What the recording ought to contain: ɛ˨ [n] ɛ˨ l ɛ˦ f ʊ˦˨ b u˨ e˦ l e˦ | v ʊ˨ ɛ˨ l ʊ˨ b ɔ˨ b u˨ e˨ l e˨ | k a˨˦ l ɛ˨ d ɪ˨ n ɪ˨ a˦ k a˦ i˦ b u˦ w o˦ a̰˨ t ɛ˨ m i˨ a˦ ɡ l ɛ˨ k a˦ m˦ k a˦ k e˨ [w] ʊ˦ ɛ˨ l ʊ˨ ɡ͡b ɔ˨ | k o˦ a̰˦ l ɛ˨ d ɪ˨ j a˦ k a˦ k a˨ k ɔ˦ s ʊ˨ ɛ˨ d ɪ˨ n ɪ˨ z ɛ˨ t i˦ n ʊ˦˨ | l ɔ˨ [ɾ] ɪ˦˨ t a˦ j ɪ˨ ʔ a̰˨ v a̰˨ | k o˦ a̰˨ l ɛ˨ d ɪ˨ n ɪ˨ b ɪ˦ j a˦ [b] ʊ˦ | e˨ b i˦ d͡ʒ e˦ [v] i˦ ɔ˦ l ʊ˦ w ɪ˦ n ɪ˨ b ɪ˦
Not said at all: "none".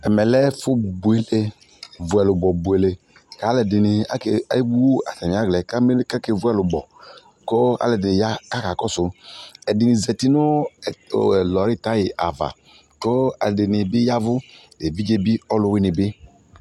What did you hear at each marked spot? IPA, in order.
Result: m, v, ɾ, v, b

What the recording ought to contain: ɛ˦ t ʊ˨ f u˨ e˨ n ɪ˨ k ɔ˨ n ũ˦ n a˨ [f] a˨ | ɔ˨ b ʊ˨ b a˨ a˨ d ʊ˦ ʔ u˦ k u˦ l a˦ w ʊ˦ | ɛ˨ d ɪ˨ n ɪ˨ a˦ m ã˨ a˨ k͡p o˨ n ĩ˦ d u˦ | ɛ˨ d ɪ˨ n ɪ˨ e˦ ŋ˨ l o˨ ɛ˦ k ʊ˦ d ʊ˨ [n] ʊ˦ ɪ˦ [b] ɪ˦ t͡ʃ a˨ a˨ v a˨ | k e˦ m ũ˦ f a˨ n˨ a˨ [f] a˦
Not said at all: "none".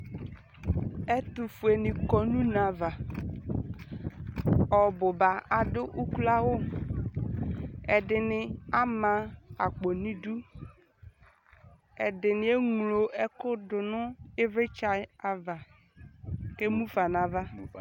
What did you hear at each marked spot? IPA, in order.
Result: v, n, v, v

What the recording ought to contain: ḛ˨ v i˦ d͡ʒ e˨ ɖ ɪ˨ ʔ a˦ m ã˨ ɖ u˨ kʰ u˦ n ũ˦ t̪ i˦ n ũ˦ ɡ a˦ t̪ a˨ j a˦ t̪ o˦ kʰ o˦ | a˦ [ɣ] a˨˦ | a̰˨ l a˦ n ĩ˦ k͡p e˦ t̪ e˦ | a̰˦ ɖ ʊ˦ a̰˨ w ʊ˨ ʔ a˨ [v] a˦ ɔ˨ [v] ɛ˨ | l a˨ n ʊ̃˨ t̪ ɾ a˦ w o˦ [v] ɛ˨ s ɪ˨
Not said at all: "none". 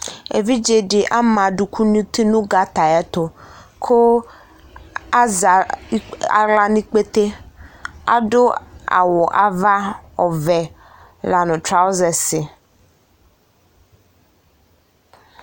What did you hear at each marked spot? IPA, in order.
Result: z, v, v, z

